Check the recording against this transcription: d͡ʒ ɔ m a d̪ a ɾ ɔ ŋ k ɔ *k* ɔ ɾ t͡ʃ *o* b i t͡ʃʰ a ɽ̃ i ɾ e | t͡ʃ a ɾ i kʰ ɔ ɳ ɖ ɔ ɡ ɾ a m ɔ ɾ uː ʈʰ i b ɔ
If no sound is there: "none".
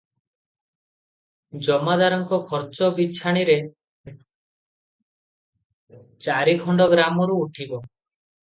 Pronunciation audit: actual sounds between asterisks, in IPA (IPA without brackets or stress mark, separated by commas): kʰ, ɔ